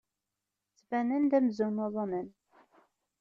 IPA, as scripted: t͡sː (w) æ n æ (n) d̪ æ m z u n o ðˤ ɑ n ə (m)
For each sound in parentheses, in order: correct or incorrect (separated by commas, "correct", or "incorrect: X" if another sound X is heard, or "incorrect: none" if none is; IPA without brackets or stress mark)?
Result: incorrect: v, correct, incorrect: n